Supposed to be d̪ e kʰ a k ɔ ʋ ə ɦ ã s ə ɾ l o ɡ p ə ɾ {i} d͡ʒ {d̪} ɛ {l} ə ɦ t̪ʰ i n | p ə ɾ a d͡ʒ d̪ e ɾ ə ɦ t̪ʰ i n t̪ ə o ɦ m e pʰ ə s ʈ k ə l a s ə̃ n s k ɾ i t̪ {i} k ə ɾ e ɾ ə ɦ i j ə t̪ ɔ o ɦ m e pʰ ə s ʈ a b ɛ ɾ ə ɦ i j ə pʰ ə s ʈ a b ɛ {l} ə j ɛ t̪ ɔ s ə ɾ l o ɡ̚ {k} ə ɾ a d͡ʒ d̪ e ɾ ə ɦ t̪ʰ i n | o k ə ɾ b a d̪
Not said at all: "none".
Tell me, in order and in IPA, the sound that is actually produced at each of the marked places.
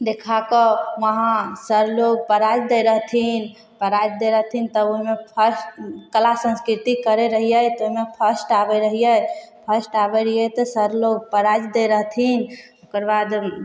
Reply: a, d̪, ɾ, i, ɾ, p

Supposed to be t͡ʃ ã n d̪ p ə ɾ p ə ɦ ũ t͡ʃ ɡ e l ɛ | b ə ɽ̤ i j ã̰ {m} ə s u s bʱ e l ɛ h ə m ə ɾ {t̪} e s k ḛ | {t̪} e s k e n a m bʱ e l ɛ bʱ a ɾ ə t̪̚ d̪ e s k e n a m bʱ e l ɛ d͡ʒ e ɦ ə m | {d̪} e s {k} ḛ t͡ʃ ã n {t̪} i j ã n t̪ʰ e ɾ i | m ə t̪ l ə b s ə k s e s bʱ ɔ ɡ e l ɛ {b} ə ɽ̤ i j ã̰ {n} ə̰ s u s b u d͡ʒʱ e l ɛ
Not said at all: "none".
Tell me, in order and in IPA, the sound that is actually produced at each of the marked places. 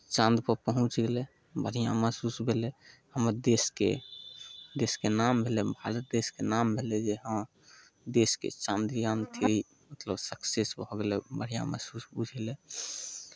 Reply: m, d̪, d̪, d̪, k, d̪, b, m

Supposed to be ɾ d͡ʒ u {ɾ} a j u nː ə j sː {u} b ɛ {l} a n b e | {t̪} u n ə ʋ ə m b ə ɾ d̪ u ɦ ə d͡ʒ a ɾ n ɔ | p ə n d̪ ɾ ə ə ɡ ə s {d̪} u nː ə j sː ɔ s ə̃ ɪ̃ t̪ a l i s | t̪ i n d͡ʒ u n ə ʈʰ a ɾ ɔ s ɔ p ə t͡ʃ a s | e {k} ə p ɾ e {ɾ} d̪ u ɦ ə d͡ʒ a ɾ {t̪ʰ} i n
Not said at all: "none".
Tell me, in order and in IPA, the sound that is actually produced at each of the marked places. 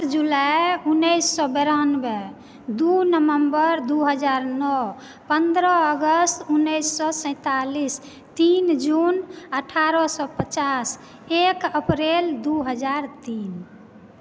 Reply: l, ɔ, ɾ, d̪, t̪, k, l, t̪

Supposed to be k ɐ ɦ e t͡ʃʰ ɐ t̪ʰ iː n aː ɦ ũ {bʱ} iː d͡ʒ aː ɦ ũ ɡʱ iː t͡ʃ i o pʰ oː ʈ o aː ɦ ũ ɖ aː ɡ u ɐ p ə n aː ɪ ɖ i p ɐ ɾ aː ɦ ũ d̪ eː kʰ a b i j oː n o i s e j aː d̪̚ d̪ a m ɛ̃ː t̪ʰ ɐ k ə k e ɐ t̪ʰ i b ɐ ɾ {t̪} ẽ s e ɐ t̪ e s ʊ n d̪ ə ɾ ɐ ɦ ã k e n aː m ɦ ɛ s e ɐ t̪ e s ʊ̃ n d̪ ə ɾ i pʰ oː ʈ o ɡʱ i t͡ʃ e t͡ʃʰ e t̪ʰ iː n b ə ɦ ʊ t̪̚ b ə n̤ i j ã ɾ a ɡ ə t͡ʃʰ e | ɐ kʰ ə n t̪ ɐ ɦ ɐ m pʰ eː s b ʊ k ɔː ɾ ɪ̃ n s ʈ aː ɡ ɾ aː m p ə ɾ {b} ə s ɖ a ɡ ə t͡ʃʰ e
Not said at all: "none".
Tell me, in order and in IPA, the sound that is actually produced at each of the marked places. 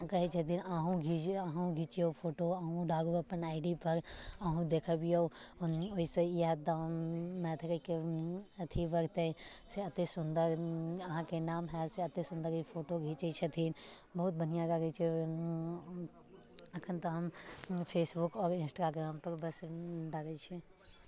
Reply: ɡʱ, t̪, b

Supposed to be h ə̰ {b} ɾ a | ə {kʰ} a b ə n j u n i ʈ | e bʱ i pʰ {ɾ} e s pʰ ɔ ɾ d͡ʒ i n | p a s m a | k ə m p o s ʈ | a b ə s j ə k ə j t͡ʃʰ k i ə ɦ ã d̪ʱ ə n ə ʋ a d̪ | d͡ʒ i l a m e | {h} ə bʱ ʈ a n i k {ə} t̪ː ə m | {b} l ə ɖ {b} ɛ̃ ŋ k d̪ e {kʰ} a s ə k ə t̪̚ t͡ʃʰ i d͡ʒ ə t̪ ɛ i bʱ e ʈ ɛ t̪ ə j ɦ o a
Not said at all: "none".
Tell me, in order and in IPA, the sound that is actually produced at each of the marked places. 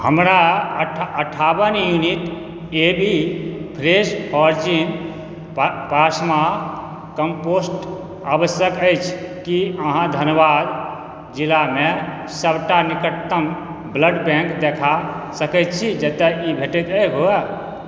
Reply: m, ʈʰ, ɾ, s, ə, b, b, kʰ

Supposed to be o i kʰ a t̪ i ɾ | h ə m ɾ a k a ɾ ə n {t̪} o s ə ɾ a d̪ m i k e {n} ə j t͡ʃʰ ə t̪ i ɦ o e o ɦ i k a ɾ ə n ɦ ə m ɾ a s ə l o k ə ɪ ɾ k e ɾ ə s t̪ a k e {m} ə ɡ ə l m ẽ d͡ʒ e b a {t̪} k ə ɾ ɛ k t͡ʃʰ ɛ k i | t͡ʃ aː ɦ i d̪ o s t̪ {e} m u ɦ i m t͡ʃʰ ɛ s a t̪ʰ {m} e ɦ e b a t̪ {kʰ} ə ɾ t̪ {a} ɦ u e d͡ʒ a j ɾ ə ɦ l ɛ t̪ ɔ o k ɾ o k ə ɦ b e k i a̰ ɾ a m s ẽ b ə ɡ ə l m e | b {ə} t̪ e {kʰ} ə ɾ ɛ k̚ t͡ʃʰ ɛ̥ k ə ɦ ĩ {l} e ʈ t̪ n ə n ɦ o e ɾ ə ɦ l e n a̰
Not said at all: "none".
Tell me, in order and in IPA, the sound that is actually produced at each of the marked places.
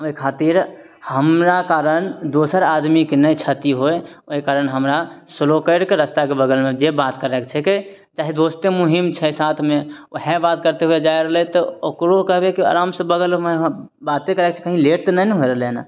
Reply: d̪, n, b, t̪, e, m, k, e, a, k, l

